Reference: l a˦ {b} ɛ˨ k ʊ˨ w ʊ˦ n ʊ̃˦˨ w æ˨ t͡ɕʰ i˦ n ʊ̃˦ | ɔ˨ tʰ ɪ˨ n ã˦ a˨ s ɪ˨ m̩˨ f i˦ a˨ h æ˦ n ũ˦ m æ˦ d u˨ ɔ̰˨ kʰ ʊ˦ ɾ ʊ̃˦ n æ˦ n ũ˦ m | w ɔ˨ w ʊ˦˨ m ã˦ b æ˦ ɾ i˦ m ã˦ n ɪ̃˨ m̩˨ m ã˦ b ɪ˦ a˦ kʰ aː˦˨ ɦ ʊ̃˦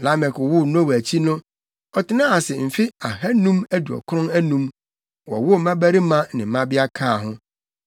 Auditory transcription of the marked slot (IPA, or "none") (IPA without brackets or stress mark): m